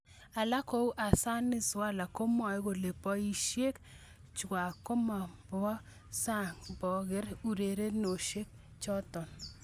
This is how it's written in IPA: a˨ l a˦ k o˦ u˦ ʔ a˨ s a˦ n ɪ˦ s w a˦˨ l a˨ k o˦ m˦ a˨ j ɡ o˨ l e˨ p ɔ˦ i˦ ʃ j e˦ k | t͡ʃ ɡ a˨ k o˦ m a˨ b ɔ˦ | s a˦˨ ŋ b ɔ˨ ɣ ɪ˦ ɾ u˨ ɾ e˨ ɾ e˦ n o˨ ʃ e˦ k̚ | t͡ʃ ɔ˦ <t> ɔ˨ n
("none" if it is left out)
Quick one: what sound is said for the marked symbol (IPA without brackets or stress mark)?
t